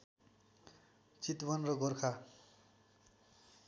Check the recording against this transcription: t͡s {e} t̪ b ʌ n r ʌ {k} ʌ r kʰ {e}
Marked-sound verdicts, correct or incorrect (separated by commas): incorrect, incorrect, incorrect